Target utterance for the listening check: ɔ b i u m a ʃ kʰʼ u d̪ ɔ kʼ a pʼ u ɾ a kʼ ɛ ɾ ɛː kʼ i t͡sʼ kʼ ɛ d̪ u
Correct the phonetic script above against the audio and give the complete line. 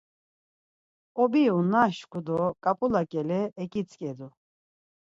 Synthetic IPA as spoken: ɔ b i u n a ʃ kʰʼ u d̪ ɔ kʼ a pʼ u l a kʼ ɛ l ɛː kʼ i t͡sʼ kʼ ɛ d̪ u